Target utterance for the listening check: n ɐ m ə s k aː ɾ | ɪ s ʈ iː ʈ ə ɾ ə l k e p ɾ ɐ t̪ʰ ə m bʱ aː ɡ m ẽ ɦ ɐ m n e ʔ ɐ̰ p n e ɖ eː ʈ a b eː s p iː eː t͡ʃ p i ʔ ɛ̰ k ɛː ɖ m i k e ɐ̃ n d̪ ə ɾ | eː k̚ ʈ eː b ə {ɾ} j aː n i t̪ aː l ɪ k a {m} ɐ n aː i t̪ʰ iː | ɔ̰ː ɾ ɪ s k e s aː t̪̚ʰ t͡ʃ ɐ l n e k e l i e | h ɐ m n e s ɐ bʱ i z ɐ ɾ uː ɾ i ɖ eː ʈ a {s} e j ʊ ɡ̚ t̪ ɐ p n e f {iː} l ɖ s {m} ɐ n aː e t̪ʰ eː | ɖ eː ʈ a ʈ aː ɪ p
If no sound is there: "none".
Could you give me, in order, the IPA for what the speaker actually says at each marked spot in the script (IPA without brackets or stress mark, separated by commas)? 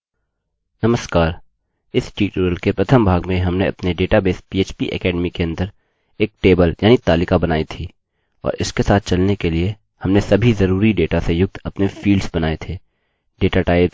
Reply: l, b, s, iː, b